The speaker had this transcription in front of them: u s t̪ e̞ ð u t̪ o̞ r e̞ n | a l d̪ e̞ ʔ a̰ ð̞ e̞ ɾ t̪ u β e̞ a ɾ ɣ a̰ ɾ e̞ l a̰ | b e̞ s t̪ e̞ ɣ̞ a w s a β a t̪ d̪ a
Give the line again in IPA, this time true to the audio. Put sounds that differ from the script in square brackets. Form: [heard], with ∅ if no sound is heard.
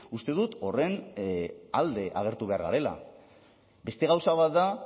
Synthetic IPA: u s t̪ e̞ ð u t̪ o̞ r e̞ n | a l d̪ e̞ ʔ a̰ [ɣ̞] e̞ ɾ t̪ u β e̞ a ɾ ɣ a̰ ɾ e̞ l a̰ | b e̞ s t̪ e̞ ɣ̞ a w s a β a t̪ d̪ a